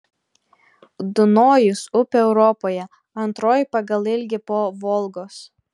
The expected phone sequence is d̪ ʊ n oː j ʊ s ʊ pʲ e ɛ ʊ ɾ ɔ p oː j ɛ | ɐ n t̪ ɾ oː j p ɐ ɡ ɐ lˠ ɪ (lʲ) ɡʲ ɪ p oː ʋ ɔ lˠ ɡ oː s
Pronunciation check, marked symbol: correct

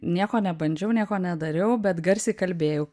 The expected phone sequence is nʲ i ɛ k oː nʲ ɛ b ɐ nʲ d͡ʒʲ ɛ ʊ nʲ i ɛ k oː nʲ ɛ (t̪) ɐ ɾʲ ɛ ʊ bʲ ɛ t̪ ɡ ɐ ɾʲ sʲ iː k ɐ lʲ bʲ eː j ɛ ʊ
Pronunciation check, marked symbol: incorrect: d̪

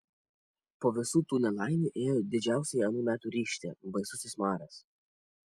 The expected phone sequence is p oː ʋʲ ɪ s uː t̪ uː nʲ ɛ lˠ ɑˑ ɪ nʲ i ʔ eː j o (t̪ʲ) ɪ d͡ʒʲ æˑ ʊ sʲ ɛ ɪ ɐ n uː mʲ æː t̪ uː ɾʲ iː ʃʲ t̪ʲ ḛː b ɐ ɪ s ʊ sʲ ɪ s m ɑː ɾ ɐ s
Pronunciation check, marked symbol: incorrect: d̪ʲ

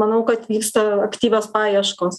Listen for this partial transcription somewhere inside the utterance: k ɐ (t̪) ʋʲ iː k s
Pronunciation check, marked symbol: correct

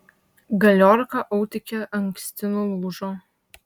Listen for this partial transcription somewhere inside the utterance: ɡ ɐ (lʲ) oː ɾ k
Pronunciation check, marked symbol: correct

